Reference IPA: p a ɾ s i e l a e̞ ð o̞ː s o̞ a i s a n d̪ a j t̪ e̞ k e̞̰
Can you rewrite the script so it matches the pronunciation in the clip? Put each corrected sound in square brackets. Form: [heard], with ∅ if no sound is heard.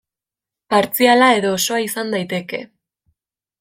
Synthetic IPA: p a ɾ [t͡s] i [a] l a e̞ ð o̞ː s o̞ a i s a n d̪ a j t̪ e̞ k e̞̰